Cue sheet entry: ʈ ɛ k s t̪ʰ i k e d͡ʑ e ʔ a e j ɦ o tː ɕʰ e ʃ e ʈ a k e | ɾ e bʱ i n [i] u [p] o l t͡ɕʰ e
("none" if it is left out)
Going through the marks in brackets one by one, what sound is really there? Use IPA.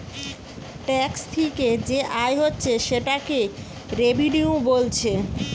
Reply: i, b

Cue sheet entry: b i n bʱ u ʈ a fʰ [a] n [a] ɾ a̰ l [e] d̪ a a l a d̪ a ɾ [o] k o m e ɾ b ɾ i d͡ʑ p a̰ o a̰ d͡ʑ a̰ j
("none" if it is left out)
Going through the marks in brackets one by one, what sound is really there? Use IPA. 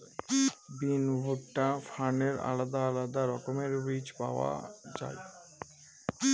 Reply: a, e, a, ɔ

